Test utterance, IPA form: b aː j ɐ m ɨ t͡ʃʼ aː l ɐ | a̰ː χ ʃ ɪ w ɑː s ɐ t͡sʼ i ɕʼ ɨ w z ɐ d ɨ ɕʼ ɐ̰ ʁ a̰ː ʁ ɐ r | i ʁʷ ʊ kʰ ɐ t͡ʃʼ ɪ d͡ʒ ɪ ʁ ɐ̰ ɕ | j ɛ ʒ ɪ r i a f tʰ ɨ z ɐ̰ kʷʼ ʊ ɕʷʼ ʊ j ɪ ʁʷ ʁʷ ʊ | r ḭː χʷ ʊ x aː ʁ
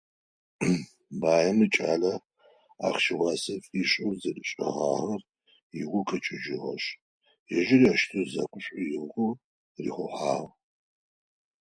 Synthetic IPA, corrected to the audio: b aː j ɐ m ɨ t͡ʃʼ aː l ɐ | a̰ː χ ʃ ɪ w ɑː s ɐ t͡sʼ i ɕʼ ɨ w z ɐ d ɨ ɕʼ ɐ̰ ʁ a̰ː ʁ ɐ r | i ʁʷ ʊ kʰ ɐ t͡ʃʼ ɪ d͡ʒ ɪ ʁ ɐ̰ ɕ | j ɛ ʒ ɪ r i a ʃ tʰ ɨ z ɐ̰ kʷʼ ʊ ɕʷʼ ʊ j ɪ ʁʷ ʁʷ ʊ | r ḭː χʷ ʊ ħ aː ʁ